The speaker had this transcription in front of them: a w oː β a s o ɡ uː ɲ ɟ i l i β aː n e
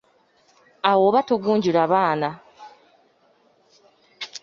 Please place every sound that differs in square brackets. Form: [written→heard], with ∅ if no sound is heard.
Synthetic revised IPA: a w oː β a [s→t] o ɡ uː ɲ ɟ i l [i→a] β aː n [e→a]